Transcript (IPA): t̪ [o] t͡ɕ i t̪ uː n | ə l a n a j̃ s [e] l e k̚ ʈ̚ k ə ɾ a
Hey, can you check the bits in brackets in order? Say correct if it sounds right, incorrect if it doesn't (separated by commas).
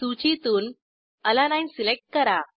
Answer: incorrect, incorrect